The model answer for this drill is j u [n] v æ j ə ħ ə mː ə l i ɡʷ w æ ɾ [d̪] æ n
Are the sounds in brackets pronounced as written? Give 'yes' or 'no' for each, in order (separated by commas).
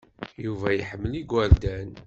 no, yes